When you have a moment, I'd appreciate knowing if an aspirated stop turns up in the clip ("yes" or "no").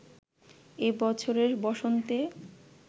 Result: yes